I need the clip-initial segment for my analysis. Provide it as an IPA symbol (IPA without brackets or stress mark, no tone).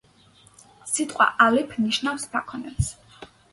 s